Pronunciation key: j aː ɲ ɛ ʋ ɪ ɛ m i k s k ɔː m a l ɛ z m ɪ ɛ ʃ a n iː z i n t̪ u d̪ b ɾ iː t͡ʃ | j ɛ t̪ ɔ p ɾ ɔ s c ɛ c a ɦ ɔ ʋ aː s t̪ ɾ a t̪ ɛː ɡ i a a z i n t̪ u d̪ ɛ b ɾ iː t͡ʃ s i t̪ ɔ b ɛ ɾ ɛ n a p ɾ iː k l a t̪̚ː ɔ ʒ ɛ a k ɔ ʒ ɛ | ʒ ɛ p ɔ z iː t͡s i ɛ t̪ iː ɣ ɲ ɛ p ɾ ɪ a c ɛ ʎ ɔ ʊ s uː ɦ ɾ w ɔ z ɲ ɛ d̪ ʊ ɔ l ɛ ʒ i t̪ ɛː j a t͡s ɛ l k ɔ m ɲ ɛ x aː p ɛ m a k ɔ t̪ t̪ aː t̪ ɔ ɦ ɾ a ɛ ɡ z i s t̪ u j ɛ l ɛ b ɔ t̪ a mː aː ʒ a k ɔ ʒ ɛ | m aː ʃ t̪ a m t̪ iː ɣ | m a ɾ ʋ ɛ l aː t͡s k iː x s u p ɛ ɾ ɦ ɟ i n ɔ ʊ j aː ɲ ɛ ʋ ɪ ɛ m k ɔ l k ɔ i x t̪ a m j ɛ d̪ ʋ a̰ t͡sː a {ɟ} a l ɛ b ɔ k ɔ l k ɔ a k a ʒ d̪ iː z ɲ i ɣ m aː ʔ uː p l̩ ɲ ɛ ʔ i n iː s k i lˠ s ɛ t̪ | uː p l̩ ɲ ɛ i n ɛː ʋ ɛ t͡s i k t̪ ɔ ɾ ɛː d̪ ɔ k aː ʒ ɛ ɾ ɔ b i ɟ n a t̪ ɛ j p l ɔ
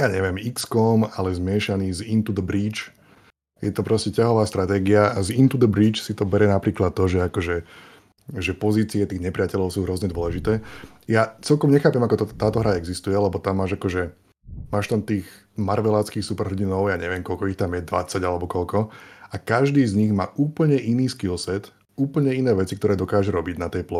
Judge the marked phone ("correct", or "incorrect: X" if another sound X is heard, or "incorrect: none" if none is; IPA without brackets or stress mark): correct